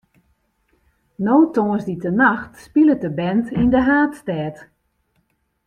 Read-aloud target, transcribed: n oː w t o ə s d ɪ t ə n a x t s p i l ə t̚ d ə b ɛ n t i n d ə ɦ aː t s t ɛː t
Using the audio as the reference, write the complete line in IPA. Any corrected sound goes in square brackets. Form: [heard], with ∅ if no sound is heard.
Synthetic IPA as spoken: n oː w t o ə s d [i] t ə n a x t s p i l ə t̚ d ə b ɛ n t i n d ə ɦ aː t s t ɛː t